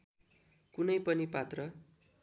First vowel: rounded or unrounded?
rounded